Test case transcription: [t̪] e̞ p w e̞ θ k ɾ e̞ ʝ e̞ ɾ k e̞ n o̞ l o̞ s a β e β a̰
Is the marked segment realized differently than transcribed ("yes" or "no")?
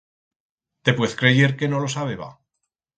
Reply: no